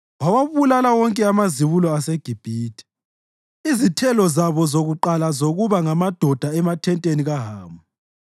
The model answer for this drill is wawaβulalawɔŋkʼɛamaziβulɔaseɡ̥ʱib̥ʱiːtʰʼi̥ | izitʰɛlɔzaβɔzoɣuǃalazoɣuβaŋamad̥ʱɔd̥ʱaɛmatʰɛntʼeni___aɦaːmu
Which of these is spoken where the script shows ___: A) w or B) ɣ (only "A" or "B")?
B